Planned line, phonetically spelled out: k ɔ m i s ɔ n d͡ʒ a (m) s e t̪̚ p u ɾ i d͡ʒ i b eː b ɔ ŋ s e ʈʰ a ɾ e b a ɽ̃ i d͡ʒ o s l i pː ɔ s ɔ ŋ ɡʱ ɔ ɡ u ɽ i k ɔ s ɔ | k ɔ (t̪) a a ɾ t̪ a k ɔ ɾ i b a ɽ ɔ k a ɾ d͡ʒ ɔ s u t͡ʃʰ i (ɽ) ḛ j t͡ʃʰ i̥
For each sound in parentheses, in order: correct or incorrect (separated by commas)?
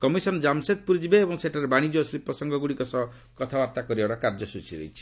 correct, incorrect, incorrect